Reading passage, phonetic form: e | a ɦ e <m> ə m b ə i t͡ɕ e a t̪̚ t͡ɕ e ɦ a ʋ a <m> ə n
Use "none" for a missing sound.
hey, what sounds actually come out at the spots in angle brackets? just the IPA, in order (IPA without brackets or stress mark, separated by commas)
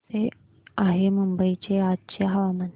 m, m